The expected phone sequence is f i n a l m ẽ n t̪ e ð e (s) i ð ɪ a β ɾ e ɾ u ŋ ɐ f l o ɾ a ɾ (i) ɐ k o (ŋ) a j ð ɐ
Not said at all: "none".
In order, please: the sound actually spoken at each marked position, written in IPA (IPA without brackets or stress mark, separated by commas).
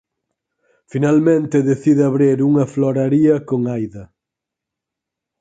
θ, i, ŋ